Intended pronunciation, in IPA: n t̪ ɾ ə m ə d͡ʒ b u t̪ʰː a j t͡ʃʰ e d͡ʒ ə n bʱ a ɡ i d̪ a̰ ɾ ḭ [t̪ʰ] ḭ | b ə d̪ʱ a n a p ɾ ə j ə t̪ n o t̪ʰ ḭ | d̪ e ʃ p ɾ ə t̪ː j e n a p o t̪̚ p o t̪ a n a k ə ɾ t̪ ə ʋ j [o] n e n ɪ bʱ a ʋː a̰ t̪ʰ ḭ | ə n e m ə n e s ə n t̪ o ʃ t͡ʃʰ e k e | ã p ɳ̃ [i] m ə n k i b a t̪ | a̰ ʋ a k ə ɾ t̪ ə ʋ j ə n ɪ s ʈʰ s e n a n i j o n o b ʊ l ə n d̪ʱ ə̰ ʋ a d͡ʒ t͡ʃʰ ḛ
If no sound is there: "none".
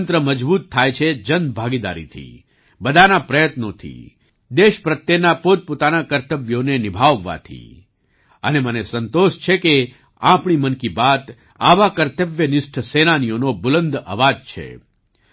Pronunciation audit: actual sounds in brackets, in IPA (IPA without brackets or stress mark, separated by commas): t̪ʰ, o, i